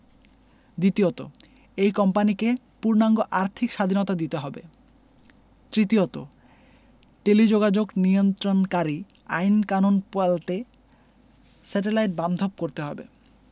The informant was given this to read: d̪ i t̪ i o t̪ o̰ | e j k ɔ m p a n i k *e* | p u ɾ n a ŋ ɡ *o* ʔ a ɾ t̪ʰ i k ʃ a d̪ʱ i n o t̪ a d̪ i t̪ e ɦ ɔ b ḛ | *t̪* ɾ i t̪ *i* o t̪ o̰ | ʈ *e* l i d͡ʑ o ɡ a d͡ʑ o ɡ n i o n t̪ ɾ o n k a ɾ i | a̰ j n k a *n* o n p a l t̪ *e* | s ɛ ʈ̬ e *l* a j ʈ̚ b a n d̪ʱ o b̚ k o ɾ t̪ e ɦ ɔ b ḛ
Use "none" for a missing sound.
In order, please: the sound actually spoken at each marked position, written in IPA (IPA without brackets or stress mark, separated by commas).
e, o, t̪, i, e, n, e, l